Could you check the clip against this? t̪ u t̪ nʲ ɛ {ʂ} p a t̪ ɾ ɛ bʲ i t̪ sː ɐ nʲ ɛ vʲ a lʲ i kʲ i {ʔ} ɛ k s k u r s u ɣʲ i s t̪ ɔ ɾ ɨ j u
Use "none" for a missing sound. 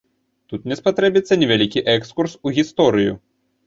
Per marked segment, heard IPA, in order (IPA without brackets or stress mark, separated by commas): s, ʔ